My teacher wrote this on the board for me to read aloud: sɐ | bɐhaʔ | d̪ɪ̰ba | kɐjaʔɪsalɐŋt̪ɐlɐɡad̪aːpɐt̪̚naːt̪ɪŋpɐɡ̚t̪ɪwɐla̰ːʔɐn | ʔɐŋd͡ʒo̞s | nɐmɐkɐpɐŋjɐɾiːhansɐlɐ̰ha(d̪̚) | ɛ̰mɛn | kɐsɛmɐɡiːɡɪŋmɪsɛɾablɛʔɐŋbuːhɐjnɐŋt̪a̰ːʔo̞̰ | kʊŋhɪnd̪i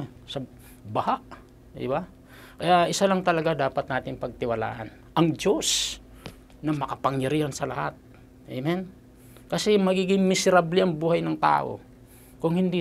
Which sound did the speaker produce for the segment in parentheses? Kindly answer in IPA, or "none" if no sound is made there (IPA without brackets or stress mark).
t̪̚